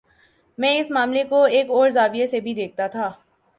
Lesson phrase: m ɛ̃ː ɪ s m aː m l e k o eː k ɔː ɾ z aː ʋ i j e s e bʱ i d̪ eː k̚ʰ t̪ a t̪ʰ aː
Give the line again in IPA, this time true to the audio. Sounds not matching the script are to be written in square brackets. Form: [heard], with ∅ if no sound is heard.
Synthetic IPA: m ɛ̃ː ɪ s m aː m l e k o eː k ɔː ɾ z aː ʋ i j e s e bʱ i d̪ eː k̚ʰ t̪ a t̪ʰ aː